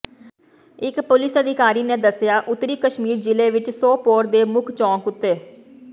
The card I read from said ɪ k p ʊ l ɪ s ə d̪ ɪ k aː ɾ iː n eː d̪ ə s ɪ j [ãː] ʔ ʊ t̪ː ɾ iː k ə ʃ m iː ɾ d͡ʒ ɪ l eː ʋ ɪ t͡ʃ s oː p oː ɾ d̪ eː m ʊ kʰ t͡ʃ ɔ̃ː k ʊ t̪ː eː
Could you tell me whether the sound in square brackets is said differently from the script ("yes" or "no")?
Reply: yes